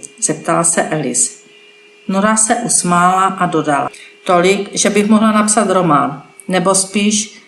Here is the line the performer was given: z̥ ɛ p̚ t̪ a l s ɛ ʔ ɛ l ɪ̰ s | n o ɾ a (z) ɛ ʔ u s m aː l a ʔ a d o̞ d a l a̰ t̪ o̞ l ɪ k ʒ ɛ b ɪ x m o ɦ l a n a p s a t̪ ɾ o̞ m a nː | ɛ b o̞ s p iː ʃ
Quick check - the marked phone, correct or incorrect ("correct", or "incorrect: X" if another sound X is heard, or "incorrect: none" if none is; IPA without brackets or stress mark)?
incorrect: s